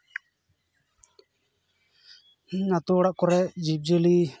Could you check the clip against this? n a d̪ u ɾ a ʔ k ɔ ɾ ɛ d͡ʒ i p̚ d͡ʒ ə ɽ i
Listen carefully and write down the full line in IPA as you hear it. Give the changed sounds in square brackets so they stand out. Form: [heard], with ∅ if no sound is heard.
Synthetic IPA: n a [t̪] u [ɽ] a ʔ k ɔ ɾ ɛ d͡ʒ i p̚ d͡ʒ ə [l] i